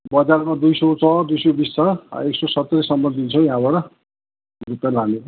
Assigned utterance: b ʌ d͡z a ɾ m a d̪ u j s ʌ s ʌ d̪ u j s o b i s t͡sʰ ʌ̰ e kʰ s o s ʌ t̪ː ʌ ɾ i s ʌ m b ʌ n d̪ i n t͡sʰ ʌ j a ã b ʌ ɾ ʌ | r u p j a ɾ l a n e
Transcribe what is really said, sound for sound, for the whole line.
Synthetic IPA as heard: b ʌ d͡z a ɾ m a d̪ u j s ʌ t͡s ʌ d̪ u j s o b i s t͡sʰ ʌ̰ e k s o s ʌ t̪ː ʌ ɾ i s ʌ m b ʌ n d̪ i n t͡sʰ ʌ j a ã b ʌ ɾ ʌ | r u p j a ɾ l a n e

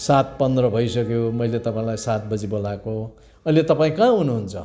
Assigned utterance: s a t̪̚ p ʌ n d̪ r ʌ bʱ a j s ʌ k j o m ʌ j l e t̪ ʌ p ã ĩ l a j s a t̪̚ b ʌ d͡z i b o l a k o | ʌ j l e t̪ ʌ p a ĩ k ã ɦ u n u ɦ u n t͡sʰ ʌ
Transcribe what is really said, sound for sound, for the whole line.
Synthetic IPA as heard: s a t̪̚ p ʌ n d̪ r ʌ bʱ ʌ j s ʌ k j o m ʌ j l e t̪ ʌ p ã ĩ l a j s a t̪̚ b ʌ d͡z i b o l a k o | ʌ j l e t̪ ʌ p a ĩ k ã ɦ u n u ɦ u n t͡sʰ ʌ

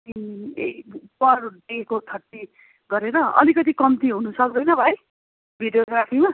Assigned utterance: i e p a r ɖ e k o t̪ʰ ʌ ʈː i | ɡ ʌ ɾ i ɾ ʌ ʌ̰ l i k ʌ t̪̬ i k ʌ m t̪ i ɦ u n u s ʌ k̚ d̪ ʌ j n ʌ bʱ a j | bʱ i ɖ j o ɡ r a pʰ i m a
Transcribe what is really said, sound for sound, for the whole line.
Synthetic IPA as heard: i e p ʌ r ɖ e k o t̪ʰ ʌ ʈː i | ɡ ʌ ɾ e ɾ ʌ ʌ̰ l i k ʌ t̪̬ i k ʌ m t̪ i ɦ u n u s ʌ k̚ d̪ ʌ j n ʌ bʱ a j | bʱ i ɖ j o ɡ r a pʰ i m a

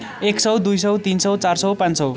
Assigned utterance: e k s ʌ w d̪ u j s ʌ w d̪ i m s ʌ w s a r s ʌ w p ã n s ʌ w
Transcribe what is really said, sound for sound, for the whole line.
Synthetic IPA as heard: e k s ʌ w d̪ u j s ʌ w t̪ i n s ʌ w t͡s a r s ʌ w p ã n s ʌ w

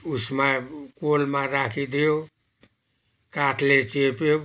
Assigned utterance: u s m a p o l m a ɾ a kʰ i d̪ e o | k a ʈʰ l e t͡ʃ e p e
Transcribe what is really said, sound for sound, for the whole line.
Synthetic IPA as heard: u s m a k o l m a ɾ a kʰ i d̪ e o | k a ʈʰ l e t͡ʃ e p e

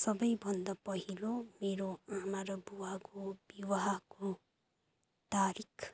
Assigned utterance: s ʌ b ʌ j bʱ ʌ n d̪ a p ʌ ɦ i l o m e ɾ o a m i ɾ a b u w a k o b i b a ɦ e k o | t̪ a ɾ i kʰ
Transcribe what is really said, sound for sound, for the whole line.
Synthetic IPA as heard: s ʌ b ʌ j bʱ ʌ n d̪ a p ʌ ɦ i l o m e ɾ o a m a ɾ ʌ b u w a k o b i w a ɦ a k o | t̪ a ɾ i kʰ

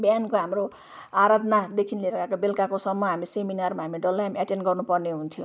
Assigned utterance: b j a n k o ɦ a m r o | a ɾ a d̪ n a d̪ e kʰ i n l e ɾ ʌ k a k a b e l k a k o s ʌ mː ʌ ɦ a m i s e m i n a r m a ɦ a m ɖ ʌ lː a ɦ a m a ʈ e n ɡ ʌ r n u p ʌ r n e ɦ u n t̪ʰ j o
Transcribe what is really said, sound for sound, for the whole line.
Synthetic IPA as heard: b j a n k o ɦ a m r o | a ɾ a d̪ n a d̪ e kʰ i n l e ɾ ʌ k a k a b e l k a k o s ʌ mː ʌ ɦ a m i s e m i n a r m a ɦ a m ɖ ʌ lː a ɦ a m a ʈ e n ɡ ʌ r n u p ʌ r n e ɦ u n t̪ʰ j o

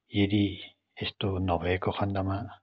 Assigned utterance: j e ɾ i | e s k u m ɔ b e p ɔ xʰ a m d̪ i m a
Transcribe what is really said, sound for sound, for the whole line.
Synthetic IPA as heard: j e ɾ i | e s t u n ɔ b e k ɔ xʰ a n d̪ a m a

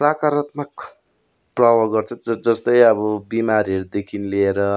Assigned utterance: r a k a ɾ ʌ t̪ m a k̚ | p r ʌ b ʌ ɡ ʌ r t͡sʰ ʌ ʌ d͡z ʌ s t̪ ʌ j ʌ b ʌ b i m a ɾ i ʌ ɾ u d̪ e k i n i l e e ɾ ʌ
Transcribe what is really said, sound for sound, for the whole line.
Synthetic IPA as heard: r a k a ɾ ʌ t̪ m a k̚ | p r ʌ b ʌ ɡ ʌ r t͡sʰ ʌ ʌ d͡z ʌ s t̪ ʌ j ʌ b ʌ b i m a ɾ i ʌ ɾ u d̪ e kʰ i n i l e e ɾ ʌ

